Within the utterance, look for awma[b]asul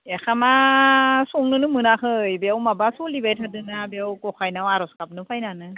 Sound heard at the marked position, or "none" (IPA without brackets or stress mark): b